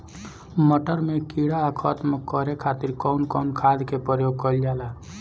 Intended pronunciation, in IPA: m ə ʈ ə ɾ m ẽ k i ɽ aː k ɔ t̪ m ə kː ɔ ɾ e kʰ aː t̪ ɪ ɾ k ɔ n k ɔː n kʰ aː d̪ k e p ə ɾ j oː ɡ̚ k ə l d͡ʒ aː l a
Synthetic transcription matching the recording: m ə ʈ ə ɾ m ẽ k i ɽ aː kʰ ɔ t̪ m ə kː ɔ ɾ e kʰ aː t̪ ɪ ɾ k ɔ n k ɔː n kʰ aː d̪ k e p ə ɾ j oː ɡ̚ k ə l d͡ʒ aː l a

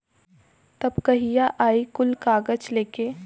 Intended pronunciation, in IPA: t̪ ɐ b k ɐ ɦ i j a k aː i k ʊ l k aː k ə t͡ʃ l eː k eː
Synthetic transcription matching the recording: t̪ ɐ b k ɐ ɦ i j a ʔ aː i k ʊ l k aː ɡ ə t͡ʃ l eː k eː

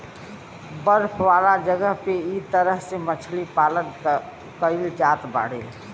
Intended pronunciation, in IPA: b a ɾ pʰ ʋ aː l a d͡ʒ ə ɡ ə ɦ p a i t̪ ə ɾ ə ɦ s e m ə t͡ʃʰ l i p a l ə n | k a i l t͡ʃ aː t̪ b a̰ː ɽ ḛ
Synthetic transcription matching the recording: b ə ɾ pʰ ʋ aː l a d͡ʒ ə ɡ ə ɦ p e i t̪ ə ɾ ə ɦ s e m ə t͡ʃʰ l i p a l ə n | k ə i l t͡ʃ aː t̪ b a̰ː ɽ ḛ

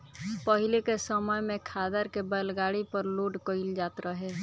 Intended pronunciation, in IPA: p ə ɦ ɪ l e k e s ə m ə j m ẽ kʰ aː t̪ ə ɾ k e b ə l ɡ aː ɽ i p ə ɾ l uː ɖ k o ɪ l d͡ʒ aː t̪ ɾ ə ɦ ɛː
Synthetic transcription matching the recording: p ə ɦ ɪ l e k e s ə m ə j m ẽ kʰ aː d̪ ə ɾ k e b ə l ɡ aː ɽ i p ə ɾ l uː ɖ k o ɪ l d͡ʒ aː t̪ ɾ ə ɦ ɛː

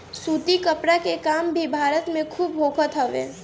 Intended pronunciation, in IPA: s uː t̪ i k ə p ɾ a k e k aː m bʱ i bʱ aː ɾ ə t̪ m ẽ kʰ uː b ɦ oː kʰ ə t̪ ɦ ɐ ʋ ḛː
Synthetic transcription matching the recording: s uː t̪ i k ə p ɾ a k e k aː m bʱ i bʱ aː ɾ ə t̪ m ẽ kʰ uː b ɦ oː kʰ ə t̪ ɦ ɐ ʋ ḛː

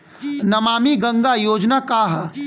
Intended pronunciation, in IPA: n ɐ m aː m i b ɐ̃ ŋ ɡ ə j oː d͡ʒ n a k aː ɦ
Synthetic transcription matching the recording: n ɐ m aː m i ɡ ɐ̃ ŋ ɡ a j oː d͡ʒ n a k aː ɦ

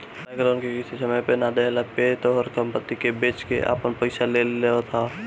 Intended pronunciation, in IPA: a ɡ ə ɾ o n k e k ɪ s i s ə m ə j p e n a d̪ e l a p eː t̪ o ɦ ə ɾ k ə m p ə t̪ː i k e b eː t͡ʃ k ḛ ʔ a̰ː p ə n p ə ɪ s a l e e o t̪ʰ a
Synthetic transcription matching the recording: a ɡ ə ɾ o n k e k ɪ s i s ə m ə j p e n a d̪ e l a p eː t̪ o ɦ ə ɾ k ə m p ə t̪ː i k e b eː t͡ʃ k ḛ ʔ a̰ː p ə n p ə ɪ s a l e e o t̪ʰ a

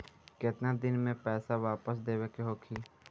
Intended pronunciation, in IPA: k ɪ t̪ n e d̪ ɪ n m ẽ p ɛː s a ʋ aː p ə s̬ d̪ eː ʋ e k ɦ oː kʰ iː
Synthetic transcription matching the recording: k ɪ t̪ n a d̪ ɪ n m ẽ p ɛː s a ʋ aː p ə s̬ d̪ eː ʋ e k ɦ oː kʰ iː

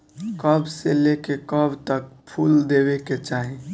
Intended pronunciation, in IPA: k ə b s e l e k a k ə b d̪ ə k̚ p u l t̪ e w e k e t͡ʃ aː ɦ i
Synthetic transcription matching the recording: k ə b s e l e k e k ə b t̪ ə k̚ pʰ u l d̪ e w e k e t͡ʃ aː ɦ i

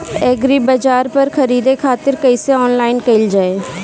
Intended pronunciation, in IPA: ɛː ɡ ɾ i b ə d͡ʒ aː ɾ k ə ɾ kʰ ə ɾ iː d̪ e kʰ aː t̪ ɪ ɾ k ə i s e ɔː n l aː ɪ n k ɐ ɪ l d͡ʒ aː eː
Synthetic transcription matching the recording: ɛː ɡ ɾ i b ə d͡ʒ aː ɾ p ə ɾ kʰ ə ɾ iː d̪ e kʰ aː t̪ ɪ ɾ k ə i s e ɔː n l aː ɪ n k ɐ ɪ l d͡ʒ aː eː

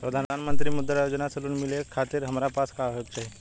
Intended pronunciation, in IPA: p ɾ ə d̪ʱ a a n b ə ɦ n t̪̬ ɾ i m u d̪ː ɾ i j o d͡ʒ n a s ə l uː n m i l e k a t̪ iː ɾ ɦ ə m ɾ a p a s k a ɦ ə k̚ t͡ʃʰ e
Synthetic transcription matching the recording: p ɾ ə d̪ʱ a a n m ə n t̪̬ ɾ i m u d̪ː ɾ a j o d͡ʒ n a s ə l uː n m i l e kʰ a t̪ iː ɾ ɦ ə m ɾ a p a s k a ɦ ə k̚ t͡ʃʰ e

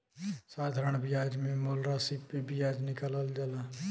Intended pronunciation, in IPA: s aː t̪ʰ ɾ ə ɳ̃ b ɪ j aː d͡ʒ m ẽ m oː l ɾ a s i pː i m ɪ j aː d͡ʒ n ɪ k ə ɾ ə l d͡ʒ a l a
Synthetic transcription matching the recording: s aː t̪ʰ ɾ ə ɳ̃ b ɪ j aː d͡ʒ m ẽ m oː l ɾ a s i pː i b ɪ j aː d͡ʒ n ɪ k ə l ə l d͡ʒ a l a

